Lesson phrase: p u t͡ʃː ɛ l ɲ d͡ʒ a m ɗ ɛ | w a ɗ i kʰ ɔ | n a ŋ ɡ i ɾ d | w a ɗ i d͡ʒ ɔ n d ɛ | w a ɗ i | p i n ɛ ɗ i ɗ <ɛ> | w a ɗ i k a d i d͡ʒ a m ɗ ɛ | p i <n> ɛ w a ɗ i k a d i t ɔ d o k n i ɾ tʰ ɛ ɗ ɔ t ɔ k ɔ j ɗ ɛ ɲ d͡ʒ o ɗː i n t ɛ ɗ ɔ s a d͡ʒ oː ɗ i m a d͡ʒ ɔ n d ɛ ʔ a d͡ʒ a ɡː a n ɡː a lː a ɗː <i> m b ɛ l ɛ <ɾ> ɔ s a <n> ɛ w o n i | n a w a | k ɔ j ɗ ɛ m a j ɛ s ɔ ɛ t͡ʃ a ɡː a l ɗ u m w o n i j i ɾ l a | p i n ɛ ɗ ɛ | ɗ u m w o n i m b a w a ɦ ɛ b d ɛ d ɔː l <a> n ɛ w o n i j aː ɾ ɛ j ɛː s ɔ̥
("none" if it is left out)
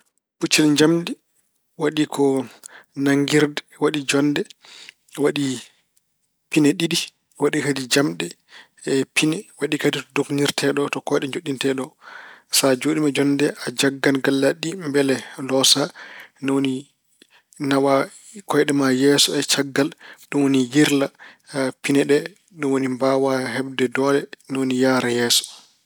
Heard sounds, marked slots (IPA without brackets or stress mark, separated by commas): i, n, i, l, n, ɛ